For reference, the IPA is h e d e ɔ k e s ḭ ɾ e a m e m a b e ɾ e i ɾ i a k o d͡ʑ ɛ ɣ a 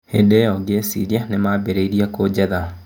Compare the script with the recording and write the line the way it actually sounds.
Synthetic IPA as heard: h e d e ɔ ɡ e s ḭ ɾ i a n e m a b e ɾ e i ɾ i a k o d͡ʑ ɛ ð a